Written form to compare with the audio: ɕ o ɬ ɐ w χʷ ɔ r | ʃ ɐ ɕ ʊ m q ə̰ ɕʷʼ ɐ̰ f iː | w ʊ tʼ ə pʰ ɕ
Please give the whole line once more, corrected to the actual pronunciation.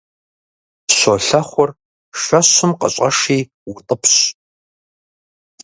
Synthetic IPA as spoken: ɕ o ɬ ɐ χʷ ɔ r | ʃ ɐ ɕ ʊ m q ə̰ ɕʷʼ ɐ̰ ʂ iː | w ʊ tʼ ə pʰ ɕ